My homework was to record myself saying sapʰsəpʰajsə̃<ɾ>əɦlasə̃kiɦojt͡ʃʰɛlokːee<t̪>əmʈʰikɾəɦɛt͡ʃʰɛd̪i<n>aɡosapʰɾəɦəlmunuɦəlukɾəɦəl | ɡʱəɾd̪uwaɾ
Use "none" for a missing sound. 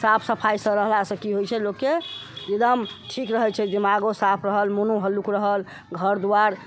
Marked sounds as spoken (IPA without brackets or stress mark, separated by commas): ɾ, d̪, m